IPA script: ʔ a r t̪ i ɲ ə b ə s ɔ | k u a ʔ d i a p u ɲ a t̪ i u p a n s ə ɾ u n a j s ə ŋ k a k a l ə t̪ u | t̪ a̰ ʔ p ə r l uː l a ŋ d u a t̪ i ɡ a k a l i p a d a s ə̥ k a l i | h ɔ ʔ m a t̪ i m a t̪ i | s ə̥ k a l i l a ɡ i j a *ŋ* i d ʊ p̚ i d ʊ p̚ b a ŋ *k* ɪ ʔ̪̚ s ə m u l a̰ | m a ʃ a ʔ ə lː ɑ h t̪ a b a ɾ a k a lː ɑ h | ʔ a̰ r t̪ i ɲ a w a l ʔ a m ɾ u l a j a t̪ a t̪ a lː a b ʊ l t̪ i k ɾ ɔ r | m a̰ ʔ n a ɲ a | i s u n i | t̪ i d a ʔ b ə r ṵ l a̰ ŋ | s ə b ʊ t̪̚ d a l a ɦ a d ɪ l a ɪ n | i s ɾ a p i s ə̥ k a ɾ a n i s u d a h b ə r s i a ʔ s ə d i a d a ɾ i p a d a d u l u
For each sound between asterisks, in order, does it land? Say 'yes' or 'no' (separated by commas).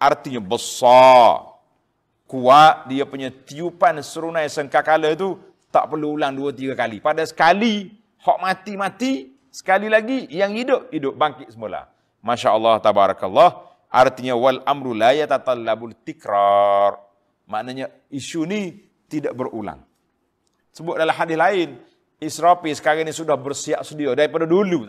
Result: yes, yes